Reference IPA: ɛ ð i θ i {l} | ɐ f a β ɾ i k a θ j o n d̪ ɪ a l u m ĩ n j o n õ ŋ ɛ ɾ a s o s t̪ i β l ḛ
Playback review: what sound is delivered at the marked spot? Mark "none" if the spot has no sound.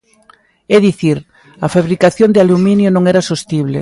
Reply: ɾ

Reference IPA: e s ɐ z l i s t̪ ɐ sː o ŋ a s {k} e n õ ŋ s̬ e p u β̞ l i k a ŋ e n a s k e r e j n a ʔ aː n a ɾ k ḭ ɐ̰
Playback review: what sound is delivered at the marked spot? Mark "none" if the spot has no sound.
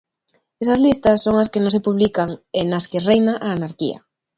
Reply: k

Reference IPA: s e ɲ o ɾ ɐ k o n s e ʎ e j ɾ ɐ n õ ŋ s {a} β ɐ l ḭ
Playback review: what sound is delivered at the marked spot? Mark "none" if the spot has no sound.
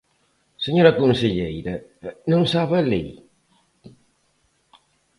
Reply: a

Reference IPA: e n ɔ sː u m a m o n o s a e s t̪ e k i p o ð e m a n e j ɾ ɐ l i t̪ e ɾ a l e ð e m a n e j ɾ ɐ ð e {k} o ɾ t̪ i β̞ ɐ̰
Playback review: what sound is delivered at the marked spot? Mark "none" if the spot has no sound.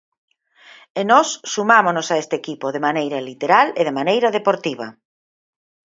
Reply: p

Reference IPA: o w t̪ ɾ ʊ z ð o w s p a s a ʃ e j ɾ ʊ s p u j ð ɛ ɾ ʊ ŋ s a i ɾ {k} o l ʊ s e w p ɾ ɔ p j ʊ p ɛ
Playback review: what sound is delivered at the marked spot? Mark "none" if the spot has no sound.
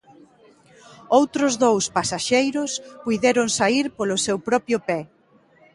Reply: p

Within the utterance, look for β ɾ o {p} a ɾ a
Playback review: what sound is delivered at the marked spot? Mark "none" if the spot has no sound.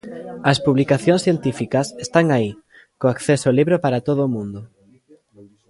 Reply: p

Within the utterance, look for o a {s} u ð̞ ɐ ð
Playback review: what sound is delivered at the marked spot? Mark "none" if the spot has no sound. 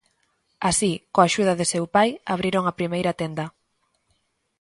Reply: ʃ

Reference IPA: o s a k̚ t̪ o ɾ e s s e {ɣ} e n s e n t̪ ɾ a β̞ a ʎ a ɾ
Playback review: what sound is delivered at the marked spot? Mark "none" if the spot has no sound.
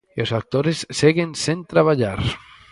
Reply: ɣ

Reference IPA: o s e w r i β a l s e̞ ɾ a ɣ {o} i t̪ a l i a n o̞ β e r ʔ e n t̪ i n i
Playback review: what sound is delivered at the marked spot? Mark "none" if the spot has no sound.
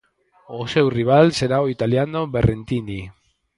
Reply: o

